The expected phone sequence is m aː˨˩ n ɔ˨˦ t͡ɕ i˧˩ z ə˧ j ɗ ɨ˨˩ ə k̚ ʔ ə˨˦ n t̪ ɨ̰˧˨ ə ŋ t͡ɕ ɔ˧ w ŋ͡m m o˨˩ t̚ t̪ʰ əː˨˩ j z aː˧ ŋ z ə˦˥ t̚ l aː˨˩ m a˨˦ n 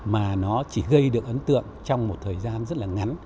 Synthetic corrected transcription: m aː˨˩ n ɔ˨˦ t͡ɕ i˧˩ ɣ ə˧ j ɗ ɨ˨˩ ə k̚ ʔ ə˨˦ n t̪ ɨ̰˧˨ ə ŋ t͡ɕ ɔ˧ w ŋ͡m m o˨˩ t̚ t̪ʰ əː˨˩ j z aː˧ n z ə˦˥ t̚ l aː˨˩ ŋ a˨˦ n